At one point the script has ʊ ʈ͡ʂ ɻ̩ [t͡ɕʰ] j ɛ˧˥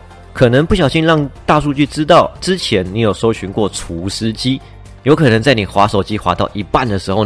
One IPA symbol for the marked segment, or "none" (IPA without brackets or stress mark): t͡ɕʰ